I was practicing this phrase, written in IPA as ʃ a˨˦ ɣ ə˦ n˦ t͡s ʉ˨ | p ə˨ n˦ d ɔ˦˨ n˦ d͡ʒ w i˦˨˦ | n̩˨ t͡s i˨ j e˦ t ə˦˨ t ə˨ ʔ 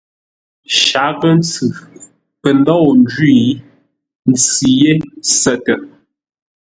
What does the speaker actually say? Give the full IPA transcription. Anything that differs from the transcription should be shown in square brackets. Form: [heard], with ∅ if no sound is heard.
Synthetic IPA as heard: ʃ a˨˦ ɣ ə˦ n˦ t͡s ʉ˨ | p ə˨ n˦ d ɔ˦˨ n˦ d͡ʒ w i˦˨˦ | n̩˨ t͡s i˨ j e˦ [s] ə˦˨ t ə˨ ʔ